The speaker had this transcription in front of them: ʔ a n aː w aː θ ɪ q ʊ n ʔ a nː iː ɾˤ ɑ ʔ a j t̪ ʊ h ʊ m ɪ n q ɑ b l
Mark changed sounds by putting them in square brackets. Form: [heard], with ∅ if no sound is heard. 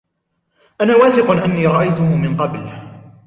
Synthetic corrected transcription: ʔ a n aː w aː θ ɪ q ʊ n ʔ a nː iː ɾˤ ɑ ʔ a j t̪ ʊ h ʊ m ɪ n q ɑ b l